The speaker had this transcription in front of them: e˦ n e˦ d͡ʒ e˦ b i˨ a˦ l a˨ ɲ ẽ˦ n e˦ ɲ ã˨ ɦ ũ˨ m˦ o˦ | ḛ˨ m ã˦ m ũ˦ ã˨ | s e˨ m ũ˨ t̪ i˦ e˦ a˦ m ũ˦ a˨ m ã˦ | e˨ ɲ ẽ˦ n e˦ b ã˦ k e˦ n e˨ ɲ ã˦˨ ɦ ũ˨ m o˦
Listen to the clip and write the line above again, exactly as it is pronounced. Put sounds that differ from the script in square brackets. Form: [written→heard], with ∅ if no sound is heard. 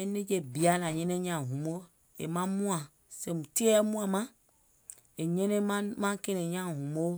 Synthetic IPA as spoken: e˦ n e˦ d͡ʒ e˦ b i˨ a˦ l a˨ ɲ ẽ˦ n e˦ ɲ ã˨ ɦ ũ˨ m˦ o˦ | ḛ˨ m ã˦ m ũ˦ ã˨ | s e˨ m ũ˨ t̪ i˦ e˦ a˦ m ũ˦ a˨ m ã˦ | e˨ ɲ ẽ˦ n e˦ [b→m] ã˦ k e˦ n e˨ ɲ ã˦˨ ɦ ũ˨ m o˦